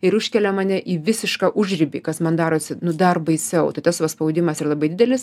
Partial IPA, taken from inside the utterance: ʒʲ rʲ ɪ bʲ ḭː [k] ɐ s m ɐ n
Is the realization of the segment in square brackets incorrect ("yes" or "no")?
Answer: no